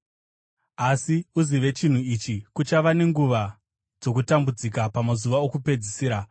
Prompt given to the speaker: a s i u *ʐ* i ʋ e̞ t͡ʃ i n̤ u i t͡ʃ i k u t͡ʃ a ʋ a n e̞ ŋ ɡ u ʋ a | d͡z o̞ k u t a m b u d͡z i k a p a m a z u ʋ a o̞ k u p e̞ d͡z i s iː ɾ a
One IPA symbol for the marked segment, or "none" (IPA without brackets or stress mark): z